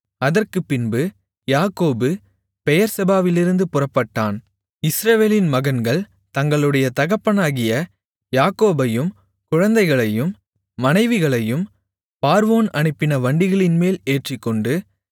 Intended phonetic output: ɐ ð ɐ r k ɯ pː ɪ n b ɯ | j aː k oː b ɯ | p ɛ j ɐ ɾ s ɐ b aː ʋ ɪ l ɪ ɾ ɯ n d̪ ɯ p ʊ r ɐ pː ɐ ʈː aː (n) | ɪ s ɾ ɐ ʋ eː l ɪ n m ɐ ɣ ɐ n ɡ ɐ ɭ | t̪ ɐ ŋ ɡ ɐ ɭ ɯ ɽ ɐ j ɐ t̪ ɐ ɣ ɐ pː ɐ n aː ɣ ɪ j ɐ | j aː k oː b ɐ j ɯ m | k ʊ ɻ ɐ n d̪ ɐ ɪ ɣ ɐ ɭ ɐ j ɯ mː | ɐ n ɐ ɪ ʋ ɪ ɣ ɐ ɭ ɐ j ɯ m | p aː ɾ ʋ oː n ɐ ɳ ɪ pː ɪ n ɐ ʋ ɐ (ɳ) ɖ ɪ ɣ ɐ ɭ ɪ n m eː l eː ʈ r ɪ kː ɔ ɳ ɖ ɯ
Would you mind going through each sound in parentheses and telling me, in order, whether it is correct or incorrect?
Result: correct, correct

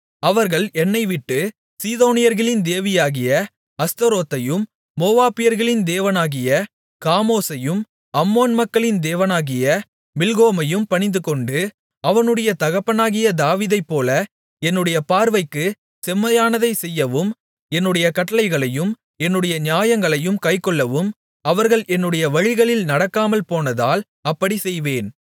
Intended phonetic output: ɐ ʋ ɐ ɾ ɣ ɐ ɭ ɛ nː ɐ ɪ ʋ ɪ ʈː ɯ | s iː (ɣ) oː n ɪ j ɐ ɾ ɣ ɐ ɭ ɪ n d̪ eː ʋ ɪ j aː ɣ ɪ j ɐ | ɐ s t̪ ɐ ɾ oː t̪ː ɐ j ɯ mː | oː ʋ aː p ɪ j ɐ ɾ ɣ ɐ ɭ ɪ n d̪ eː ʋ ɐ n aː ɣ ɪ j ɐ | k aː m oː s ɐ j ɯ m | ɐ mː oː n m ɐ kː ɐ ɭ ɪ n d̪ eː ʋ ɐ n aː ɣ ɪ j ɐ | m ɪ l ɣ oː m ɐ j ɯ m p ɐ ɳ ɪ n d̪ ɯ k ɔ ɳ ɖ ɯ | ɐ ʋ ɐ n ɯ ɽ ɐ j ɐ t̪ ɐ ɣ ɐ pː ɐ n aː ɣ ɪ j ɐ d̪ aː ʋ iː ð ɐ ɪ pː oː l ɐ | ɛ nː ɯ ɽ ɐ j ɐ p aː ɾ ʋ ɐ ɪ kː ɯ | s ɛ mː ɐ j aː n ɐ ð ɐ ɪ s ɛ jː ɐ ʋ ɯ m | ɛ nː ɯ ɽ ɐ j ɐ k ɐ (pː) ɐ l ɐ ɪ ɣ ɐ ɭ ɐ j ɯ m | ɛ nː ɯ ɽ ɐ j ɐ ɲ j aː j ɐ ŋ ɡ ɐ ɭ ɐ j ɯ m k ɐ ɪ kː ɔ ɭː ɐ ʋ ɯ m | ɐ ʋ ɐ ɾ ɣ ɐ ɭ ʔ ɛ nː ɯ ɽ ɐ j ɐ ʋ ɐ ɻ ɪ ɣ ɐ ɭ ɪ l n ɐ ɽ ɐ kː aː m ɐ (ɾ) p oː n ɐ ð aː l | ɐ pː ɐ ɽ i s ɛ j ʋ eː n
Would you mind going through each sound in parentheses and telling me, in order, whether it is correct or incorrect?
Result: incorrect: ð, incorrect: ʈː, incorrect: l

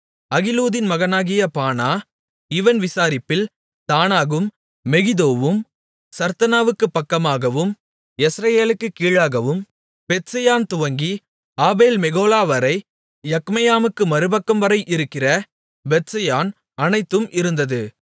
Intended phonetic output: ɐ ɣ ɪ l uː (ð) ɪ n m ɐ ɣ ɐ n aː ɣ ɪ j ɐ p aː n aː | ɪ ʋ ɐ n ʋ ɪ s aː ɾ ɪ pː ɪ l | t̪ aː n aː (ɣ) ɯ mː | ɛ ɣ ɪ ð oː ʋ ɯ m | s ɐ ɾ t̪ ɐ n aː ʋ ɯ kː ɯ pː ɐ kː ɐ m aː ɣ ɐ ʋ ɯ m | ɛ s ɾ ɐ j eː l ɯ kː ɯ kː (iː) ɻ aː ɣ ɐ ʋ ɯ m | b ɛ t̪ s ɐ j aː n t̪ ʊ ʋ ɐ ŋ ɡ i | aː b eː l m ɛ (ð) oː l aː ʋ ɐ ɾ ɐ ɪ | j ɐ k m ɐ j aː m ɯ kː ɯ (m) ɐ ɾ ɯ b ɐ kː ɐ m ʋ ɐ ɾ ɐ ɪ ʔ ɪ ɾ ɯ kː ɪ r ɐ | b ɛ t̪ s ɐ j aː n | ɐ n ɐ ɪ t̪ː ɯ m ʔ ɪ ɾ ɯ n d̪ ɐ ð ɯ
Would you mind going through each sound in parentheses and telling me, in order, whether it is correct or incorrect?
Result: correct, correct, correct, incorrect: ɣ, correct

